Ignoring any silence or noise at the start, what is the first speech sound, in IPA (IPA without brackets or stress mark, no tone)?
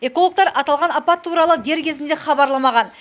e̞